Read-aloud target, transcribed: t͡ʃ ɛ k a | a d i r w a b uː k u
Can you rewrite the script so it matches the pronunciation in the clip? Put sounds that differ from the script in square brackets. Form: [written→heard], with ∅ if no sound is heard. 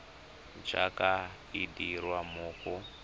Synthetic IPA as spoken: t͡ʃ [ɛ→a] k a | [a→i] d i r w a [b→m] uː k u